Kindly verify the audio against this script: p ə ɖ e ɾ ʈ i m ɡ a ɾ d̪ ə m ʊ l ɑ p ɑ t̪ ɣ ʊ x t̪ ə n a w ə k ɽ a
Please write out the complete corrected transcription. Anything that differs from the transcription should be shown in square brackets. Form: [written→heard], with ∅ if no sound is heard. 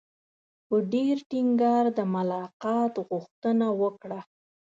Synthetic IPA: p ə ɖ e ɾ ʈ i [m→ŋ] ɡ [a→ɑ] ɾ d̪ ə m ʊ l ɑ [p→q] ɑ t̪ ɣ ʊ x t̪ ə n a w ə k ɽ a